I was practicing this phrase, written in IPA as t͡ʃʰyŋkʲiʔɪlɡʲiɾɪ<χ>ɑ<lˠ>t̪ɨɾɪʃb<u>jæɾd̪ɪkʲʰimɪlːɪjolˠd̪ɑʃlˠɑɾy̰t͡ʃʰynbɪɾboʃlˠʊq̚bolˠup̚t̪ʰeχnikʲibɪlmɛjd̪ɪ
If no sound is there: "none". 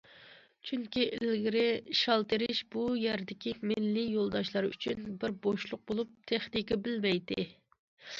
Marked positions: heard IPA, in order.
ʃ, lˠ, u

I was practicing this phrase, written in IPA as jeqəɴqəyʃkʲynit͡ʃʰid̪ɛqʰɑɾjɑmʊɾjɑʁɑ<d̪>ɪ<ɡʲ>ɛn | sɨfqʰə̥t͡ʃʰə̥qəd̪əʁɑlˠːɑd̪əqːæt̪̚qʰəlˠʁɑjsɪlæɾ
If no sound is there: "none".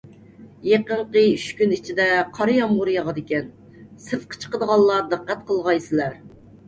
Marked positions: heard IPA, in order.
d̪, kʲ

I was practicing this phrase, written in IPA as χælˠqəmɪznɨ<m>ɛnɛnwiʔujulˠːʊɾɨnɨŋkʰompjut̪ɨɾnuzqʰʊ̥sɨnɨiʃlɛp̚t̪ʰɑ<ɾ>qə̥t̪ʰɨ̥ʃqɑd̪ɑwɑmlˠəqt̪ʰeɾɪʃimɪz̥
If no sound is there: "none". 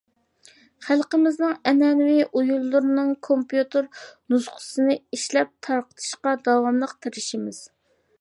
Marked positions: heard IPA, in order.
ŋ, ɾ

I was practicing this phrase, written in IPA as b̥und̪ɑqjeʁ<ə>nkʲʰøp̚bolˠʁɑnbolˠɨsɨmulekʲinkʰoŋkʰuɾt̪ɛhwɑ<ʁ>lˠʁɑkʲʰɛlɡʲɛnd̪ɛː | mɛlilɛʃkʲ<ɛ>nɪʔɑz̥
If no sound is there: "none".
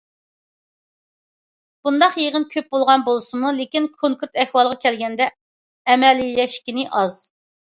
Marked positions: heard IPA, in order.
ə, none, i

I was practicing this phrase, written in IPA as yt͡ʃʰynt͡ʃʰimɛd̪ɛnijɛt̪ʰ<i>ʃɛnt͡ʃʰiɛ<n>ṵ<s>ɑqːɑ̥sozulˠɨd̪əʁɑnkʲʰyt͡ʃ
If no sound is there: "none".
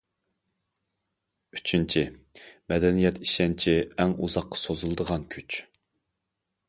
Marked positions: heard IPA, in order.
i, ŋ, z

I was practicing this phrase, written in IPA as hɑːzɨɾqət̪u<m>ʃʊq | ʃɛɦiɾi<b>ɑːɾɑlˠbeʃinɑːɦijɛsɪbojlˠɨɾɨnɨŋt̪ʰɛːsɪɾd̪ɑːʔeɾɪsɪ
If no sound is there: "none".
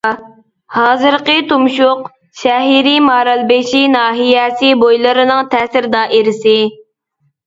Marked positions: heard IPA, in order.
m, m

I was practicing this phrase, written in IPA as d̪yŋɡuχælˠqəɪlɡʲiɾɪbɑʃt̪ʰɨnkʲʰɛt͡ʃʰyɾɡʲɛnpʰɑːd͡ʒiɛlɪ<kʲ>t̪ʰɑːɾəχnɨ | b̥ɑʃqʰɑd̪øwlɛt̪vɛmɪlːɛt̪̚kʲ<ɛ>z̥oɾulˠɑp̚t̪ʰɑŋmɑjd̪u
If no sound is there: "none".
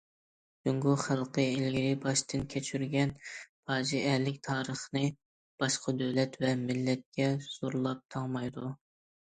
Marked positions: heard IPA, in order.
kʲ, ɛ

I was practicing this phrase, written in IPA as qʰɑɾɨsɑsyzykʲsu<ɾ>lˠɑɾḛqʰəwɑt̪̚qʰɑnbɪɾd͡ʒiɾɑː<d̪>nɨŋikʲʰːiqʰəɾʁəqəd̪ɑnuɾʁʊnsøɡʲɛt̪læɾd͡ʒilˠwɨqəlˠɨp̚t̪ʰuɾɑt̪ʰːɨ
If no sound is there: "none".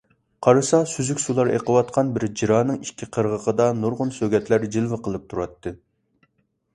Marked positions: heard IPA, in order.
none, none

